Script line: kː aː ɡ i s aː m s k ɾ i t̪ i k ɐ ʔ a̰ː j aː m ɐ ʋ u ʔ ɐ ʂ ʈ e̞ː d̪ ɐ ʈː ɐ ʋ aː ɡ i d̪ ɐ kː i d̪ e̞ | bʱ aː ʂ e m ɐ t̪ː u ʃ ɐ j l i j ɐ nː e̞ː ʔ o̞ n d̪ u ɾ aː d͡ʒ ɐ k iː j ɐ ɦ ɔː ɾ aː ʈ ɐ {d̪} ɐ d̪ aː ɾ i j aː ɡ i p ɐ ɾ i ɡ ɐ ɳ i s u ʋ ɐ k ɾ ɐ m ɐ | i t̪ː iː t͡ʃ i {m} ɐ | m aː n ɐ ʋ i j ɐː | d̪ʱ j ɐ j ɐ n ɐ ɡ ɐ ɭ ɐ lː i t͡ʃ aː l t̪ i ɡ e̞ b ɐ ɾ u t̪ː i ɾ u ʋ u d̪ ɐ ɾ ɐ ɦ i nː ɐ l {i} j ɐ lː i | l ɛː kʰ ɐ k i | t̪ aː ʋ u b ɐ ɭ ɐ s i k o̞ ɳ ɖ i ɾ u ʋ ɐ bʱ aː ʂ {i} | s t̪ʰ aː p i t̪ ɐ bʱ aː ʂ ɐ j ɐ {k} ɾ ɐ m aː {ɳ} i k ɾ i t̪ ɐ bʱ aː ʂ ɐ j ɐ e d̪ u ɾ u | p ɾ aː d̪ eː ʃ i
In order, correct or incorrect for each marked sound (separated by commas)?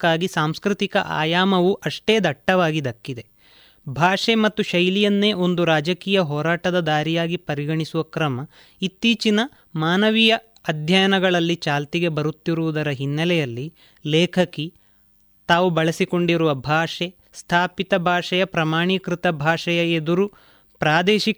correct, incorrect, incorrect, incorrect, incorrect, correct